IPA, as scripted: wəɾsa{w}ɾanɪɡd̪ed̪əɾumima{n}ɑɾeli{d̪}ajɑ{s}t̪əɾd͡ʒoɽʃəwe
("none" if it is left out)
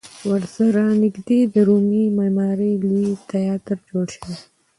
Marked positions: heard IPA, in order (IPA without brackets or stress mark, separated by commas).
none, m, t̪, none